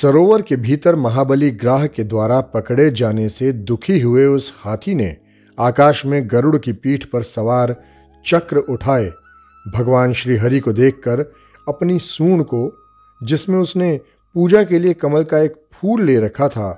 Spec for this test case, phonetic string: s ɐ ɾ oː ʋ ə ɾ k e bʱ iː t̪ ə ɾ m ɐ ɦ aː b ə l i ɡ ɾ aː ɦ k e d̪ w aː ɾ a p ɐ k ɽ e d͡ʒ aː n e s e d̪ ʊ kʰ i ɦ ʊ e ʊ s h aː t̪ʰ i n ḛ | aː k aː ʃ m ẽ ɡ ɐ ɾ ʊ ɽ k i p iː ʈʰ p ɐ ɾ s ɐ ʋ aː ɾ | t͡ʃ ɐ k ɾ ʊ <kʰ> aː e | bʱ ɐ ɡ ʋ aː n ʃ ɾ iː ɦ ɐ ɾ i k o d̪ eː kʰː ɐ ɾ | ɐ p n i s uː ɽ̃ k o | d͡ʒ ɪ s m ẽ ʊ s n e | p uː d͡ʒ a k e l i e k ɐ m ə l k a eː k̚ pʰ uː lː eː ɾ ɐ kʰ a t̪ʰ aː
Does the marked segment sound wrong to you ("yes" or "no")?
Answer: yes